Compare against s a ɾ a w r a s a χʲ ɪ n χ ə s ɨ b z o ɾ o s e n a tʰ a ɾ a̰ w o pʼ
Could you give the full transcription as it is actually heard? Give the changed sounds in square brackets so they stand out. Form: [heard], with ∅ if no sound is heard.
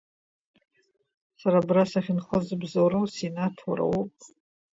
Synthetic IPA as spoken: s a ɾ a [b] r a s a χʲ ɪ n χ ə [z] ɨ b z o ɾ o s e n a tʰ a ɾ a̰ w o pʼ